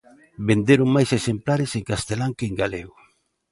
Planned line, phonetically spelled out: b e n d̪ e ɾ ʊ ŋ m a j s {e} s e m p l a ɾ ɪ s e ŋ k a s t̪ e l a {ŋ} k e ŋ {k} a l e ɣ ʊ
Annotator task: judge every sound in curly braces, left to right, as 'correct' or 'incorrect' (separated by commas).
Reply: correct, correct, incorrect